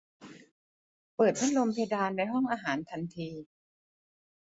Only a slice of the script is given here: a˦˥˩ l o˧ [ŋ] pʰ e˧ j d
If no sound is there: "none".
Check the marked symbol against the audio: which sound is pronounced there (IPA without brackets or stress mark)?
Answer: m